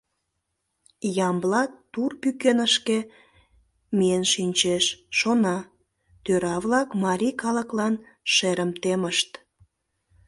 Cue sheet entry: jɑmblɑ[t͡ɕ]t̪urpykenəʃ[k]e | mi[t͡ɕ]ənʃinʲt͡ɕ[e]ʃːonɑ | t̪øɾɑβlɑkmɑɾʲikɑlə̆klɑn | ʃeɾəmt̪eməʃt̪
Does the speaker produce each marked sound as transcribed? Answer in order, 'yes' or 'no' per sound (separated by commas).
no, yes, no, yes